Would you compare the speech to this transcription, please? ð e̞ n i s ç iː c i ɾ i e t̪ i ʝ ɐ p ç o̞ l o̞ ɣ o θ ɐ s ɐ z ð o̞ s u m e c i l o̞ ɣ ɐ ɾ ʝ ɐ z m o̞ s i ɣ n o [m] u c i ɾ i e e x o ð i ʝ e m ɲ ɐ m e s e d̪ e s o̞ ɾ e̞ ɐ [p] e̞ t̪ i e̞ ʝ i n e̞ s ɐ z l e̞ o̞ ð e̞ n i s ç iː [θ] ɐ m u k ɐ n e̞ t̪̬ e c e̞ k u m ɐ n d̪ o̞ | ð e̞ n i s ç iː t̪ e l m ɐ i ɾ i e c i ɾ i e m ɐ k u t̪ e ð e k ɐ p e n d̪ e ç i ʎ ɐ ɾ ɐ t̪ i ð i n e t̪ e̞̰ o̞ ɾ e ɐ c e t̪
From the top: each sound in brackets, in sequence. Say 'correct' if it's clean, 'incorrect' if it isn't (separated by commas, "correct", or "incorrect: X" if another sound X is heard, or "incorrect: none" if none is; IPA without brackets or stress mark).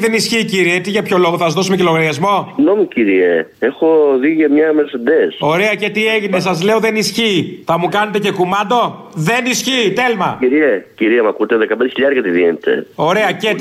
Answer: correct, incorrect: c, correct